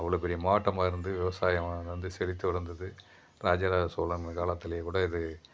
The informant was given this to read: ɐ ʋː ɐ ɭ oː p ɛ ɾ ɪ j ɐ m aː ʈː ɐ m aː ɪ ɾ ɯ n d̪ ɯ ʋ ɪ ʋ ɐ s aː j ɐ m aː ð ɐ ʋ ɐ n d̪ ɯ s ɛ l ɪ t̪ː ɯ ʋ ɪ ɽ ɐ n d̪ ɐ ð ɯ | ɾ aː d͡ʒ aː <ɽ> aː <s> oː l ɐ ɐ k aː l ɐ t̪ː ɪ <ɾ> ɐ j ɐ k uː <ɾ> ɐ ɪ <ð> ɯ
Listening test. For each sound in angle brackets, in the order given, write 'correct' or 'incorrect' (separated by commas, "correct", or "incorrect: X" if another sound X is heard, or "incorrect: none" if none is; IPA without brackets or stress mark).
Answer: incorrect: ɾ, correct, incorrect: l, incorrect: ɽ, correct